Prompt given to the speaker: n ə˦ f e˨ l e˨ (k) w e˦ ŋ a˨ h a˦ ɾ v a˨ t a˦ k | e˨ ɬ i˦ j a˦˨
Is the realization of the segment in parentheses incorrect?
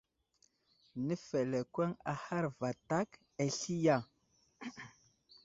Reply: no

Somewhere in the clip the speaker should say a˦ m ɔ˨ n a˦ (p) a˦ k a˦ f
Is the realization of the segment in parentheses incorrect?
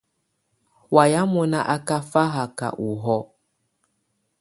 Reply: yes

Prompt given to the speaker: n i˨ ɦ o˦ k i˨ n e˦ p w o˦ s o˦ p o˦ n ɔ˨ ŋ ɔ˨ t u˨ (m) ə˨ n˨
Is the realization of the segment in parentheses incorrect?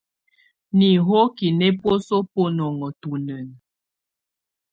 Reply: yes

